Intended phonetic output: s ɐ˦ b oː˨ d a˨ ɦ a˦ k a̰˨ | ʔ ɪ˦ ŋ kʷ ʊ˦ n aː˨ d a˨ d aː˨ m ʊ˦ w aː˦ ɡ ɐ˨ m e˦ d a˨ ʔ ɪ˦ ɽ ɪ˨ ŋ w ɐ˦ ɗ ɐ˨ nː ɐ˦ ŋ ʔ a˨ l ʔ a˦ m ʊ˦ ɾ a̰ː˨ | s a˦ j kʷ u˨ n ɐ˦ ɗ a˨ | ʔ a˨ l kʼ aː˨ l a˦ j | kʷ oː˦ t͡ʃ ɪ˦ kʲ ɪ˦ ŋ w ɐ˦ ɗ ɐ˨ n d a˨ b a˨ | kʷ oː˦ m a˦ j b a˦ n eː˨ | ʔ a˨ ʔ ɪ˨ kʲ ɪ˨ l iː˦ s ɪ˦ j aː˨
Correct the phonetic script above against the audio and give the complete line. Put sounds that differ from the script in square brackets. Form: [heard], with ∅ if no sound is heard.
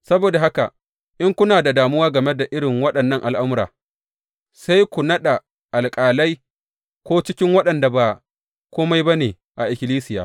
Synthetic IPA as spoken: s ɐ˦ b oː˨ d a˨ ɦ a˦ k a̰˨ | ʔ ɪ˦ ŋ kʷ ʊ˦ n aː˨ d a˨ d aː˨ m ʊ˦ w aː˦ ɡ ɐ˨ m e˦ d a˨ ʔ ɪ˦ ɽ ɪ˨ ŋ w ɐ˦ ɗ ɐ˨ nː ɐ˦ ŋ ʔ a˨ l ʔ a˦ m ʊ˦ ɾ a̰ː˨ | s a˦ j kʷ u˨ n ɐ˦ ɗ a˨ | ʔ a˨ l kʼ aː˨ l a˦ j | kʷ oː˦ t͡ʃ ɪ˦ kʲ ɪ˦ ŋ w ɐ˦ ɗ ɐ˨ n d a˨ b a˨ | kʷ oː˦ m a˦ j b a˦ n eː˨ | ʔ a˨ ʔ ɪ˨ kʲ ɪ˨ l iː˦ s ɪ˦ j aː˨